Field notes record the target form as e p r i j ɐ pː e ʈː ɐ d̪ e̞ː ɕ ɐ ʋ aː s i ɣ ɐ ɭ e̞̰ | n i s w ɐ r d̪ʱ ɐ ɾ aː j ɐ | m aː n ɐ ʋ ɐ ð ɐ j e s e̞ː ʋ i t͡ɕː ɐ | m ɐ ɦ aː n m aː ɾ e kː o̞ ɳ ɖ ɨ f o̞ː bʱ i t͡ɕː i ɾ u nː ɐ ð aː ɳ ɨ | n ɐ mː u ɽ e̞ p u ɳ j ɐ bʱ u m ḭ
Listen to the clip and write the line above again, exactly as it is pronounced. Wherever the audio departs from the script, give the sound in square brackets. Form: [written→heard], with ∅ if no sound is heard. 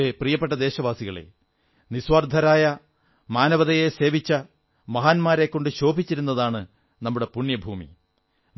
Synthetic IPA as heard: e p r i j ɐ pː e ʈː ɐ d̪ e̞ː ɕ ɐ ʋ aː s i ɣ ɐ ɭ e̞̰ | n i s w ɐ r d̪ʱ ɐ ɾ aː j ɐ | m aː n ɐ ʋ ɐ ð ɐ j e s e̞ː ʋ i t͡ɕː ɐ | m ɐ ɦ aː n m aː ɾ e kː o̞ ɳ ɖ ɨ [f→ɕ] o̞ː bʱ i t͡ɕː i ɾ u nː ɐ ð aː ɳ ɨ | n ɐ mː u ɽ e̞ p u ɳ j ɐ bʱ [u→uː] m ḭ

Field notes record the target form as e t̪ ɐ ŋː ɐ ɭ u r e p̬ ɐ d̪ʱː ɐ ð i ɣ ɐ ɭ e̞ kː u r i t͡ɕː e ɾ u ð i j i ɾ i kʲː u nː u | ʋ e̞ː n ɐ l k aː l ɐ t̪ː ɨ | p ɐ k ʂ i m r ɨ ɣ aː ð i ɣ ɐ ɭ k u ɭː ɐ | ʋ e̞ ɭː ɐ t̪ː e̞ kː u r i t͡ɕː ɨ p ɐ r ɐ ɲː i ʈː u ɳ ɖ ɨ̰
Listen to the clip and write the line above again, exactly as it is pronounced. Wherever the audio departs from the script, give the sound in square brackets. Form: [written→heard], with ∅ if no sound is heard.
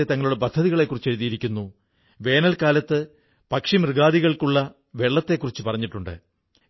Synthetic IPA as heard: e t̪ ɐ ŋː ɐ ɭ u [r→ɽ] e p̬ ɐ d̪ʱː ɐ ð i ɣ ɐ ɭ e̞ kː u r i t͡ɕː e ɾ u ð i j i ɾ i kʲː u nː u | ʋ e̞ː n ɐ l k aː l ɐ t̪ː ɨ | p ɐ k ʂ i m r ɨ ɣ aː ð i ɣ ɐ ɭ k u ɭː ɐ | ʋ e̞ ɭː ɐ t̪ː e̞ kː u r i t͡ɕː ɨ p ɐ r ɐ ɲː i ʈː u ɳ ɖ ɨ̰

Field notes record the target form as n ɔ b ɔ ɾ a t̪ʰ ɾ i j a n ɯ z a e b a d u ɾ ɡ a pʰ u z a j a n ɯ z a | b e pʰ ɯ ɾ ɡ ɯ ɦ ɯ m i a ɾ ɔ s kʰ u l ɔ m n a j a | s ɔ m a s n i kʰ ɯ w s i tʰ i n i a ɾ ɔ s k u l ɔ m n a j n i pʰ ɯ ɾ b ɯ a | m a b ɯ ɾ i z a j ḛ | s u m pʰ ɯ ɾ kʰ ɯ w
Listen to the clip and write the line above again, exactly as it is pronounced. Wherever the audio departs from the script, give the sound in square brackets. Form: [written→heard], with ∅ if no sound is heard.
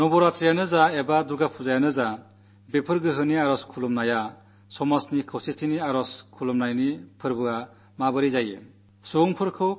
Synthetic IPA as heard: n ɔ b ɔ ɾ a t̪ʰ ɾ i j a n ɯ z a e b a d u ɾ ɡ a pʰ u z a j a n ɯ z a | b e pʰ ɯ ɾ ɡ ɯ ɦ ɯ [m→n] i a ɾ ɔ s kʰ u l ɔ m n a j a | s ɔ m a s n i kʰ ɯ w s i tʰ i n i a ɾ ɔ s [k→kʰ] u l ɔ m n a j n i pʰ ɯ ɾ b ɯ a | m a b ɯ ɾ i z a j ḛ | s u [m→ŋ] pʰ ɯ ɾ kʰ ɯ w

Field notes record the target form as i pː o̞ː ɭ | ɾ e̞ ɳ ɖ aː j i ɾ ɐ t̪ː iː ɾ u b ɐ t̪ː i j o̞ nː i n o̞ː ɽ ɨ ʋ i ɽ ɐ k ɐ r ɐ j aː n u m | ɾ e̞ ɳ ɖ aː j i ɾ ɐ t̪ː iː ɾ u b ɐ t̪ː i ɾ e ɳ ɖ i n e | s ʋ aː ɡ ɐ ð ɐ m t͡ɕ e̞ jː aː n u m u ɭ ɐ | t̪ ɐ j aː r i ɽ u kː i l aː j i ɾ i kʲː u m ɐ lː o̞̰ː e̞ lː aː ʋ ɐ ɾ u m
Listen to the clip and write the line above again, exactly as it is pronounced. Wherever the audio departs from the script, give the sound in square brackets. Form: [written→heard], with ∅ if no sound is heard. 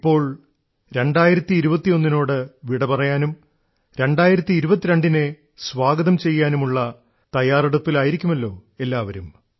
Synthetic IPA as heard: i pː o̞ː ɭ | ɾ e̞ ɳ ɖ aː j i ɾ ɐ t̪ː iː ɾ u b ɐ t̪ː i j o̞ nː i n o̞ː ɽ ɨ ʋ i ɽ ɐ [k→p] ɐ r ɐ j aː n u m | ɾ e̞ ɳ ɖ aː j i ɾ ɐ t̪ː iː ɾ u b ɐ t̪ː i ɾ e ɳ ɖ i n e | s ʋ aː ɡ ɐ ð ɐ m t͡ɕ e̞ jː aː n u m u [ɭ→ɭː] ɐ | t̪ ɐ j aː r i ɽ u [kː→pː] i l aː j i ɾ i kʲː u m ɐ lː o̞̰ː e̞ lː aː ʋ ɐ ɾ u m

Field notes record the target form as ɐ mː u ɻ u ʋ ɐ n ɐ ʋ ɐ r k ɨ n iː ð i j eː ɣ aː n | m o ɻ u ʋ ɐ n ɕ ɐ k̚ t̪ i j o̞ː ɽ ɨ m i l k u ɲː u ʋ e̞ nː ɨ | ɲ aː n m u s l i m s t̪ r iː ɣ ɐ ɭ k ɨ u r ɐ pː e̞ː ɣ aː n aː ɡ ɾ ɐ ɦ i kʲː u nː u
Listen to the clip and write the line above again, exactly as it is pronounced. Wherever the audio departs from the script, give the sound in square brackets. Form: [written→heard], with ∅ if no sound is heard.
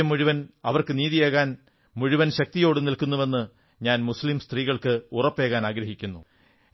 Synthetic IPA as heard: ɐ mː u ɻ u ʋ ɐ n ɐ ʋ ɐ r k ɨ n iː ð i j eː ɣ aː n | m [o→u] ɻ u ʋ ɐ n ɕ ɐ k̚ t̪ i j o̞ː ɽ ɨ [m→n] i l k u [ɲː→nː] u ʋ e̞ nː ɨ | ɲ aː n m u s l i m s t̪ r iː ɣ ɐ ɭ k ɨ u r ɐ pː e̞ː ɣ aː n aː ɡ ɾ ɐ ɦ i kʲː u nː u

